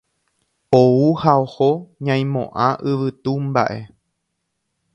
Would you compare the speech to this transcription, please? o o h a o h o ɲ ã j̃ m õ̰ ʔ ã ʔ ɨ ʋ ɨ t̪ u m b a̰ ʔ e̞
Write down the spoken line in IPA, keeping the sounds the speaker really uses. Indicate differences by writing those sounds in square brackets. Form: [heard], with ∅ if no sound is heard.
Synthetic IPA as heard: o [u] h a o h o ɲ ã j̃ m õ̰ ʔ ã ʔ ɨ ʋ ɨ t̪ u m b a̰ ʔ e̞